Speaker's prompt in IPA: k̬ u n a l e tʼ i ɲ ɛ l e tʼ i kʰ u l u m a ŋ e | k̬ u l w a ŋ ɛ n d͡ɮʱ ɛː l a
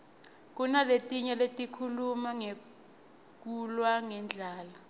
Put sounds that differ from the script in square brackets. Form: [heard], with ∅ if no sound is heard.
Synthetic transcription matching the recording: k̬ u n a l e tʼ i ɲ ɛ l e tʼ i kʰ u l u m a ŋ e | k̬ u l w a ŋ ɛ n d͡ɮʱ [aː] l a